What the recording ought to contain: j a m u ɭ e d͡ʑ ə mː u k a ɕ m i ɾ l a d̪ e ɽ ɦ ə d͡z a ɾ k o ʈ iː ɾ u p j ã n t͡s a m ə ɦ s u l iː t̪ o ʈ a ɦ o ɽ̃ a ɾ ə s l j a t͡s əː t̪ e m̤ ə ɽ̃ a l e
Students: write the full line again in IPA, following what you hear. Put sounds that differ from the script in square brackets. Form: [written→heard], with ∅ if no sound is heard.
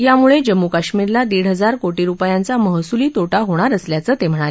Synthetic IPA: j a m u ɭ e d͡ʑ ə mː u k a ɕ m i ɾ l a d̪ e ɽ ɦ ə d͡z a ɾ k o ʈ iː ɾ u p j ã n t͡s a m ə ɦ s u l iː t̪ o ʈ a ɦ o ɽ̃ a ɾ ə s l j a t͡s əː t̪ e m̤ ə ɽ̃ a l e